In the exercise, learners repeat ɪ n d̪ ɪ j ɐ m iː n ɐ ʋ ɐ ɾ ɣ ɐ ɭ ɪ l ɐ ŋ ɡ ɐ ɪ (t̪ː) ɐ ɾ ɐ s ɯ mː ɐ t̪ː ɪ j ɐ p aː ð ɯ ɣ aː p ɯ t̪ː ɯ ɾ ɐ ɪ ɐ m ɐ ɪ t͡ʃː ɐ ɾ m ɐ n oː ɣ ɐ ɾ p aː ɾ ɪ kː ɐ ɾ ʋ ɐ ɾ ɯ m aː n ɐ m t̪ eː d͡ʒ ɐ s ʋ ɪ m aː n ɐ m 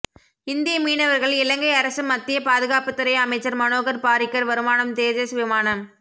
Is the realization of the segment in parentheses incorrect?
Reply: yes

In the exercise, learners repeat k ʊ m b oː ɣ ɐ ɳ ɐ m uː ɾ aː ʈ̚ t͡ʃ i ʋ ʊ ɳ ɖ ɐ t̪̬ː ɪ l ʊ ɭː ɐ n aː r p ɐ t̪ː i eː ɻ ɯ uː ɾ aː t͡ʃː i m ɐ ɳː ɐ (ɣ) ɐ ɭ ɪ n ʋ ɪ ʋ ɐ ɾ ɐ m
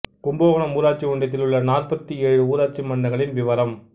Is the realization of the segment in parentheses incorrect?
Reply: no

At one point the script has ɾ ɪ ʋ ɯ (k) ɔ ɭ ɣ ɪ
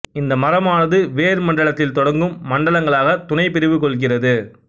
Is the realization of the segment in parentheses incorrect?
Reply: no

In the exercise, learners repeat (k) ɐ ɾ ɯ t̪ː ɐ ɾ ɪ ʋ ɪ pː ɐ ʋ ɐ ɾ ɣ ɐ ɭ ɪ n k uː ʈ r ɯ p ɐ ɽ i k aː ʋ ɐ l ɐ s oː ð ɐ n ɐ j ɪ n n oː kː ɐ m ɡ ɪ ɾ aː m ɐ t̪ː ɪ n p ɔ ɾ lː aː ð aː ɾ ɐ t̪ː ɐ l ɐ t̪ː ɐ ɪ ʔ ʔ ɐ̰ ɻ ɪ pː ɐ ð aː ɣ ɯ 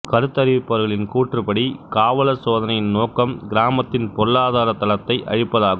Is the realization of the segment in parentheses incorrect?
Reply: no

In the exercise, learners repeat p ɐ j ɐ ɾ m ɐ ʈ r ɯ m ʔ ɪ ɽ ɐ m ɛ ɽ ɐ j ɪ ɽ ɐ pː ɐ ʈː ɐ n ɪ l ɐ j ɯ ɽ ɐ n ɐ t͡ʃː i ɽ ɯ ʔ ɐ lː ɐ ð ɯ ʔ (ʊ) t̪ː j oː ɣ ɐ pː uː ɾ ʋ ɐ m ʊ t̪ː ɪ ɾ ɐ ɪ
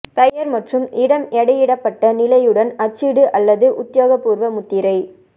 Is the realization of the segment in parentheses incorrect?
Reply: no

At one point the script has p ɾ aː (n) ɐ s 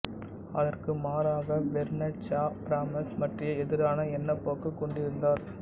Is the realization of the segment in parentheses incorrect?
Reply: yes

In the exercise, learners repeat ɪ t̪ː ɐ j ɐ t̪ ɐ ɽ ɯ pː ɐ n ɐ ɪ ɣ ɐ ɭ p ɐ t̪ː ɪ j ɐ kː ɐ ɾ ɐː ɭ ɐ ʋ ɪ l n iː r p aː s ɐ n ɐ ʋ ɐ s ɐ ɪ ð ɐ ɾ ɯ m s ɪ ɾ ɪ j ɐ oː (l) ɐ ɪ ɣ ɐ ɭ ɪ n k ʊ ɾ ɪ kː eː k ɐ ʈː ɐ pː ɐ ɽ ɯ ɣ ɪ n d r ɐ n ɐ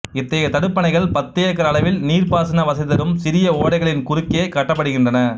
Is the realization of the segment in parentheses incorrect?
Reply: yes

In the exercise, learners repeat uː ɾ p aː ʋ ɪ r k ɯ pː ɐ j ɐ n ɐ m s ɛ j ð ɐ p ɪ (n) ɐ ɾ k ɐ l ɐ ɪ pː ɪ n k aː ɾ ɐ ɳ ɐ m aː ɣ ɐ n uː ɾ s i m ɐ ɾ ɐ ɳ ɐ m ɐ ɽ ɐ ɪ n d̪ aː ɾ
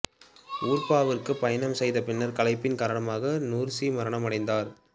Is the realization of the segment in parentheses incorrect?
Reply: yes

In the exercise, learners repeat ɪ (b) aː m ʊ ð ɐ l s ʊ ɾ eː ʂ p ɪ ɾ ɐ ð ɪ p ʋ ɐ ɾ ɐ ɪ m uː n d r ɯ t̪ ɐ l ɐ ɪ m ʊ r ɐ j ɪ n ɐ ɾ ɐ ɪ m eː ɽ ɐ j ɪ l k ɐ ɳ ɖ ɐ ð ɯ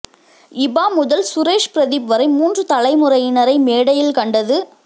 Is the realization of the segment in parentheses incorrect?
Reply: no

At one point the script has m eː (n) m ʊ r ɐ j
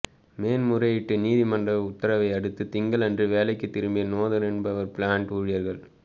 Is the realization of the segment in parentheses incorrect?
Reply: no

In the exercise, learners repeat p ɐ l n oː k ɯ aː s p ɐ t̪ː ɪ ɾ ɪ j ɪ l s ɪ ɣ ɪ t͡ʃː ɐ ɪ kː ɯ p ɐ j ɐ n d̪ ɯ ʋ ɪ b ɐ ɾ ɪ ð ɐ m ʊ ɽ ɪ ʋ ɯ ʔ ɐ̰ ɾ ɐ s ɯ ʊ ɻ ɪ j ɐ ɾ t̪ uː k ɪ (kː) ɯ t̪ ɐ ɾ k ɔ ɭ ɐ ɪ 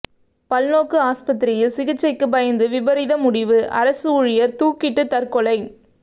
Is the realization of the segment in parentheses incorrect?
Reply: yes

